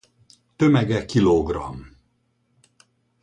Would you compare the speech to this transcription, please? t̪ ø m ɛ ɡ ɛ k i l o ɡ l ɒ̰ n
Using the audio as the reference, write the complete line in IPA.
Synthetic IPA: t̪ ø m ɛ ɡ ɛ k i l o ɡ r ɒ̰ m